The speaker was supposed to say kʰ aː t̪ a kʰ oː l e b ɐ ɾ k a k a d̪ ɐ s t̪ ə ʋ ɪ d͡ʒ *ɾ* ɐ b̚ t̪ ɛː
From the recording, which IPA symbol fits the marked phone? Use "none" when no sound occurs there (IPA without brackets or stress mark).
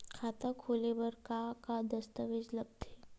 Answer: l